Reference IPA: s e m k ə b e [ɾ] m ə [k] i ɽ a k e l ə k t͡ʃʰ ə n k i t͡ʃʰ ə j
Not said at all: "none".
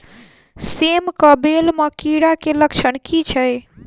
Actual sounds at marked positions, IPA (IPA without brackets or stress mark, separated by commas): l, k